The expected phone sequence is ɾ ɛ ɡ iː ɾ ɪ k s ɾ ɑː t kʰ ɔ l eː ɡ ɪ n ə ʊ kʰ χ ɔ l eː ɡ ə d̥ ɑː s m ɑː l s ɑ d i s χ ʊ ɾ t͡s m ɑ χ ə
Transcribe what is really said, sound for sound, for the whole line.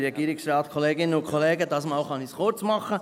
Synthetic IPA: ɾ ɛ ɡ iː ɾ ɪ k s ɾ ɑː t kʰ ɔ l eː ɡ ɪ n ə ʊ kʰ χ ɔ l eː ɡ ə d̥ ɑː s m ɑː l χ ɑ n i s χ ʊ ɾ t͡s m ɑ χ ə